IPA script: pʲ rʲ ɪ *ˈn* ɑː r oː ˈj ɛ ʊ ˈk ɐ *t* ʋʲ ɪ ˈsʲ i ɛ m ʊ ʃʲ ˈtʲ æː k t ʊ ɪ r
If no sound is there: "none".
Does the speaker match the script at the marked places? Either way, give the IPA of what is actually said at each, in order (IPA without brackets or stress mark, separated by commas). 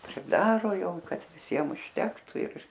d, t